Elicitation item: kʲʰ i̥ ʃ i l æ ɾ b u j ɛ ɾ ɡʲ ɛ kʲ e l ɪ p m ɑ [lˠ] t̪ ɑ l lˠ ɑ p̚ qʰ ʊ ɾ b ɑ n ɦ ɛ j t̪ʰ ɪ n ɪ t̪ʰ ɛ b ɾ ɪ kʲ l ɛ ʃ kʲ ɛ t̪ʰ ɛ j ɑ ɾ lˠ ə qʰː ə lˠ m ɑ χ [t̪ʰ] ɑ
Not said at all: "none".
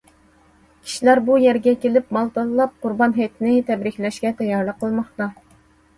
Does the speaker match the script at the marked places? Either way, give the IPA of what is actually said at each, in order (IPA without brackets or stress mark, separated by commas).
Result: lˠ, t̪